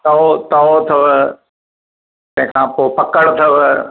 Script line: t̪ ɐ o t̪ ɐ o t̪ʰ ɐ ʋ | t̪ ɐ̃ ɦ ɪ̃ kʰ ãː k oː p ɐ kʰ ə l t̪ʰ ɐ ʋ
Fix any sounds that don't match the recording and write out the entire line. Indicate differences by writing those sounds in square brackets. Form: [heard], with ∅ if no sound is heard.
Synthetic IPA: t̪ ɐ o t̪ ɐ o t̪ʰ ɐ ʋ | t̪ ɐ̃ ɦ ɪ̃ kʰ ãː [p] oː p ɐ [k] ə [ɽ] t̪ʰ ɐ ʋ